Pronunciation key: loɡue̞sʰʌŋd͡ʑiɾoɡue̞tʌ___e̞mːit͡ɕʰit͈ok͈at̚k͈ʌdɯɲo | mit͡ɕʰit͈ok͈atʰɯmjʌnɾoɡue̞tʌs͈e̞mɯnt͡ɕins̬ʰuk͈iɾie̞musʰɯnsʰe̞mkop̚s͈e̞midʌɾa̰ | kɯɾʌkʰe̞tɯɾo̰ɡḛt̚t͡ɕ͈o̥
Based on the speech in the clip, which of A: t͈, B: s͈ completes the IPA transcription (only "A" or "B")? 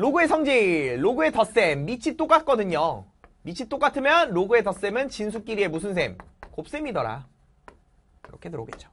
B